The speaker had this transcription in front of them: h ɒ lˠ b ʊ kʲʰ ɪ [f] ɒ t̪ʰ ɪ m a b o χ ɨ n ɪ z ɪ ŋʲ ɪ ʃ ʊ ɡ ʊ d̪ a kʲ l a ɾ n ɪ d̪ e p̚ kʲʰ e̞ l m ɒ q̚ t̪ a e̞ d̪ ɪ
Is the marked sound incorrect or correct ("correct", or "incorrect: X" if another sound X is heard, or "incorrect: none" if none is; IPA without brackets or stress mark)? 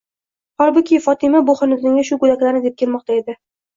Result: correct